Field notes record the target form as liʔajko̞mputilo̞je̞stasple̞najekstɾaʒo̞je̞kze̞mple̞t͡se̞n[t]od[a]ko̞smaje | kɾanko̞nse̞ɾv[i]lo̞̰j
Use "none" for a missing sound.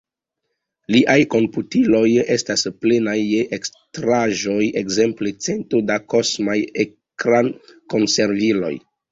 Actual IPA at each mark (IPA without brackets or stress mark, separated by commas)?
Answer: t, a, i